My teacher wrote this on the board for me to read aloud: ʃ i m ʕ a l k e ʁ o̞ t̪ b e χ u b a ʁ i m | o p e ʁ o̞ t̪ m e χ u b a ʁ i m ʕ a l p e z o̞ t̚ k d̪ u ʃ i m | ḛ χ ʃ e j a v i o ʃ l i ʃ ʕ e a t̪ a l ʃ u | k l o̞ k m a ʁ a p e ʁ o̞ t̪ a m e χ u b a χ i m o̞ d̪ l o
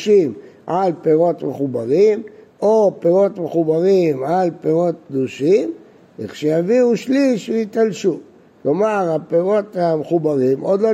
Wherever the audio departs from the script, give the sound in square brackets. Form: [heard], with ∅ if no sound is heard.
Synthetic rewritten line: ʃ i m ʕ a l [p] e ʁ o̞ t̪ [m] e χ u b a ʁ i m | o p e ʁ o̞ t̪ m e χ u b a ʁ i m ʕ a l p e [ʁ] o̞ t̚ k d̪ u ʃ i m | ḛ χ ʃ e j a v i [u] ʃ l i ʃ [v] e [i] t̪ a l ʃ u | k l o̞ [∅] m a ʁ a p e ʁ o̞ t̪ a m e χ u b a [ʁ] i m o̞ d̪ l o